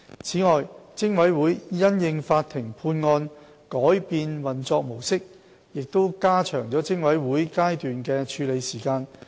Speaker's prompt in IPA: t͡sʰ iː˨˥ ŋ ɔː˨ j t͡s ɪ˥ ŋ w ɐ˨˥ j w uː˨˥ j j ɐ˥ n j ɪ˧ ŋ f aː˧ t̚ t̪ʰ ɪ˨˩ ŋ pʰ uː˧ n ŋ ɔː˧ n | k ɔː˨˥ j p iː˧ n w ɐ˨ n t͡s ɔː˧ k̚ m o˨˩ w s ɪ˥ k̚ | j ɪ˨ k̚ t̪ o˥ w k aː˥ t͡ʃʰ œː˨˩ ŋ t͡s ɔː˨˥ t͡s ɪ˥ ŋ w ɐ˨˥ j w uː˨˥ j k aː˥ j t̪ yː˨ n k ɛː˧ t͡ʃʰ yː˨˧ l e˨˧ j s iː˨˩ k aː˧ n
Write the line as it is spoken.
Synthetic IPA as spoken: t͡sʰ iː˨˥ ŋ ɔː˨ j t͡s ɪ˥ ŋ w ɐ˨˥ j w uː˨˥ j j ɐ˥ n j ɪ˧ ŋ f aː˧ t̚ t̪ʰ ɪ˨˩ ŋ pʰ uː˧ n ŋ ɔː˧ n | k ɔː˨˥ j p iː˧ n w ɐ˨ n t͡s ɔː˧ k̚ m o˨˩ w s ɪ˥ k̚ | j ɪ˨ k̚ t̪ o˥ w k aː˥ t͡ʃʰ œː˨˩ ŋ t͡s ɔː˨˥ t͡s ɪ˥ ŋ w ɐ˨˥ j w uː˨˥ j k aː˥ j t̪ yː˨ n k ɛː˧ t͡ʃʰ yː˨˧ l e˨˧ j s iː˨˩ k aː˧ n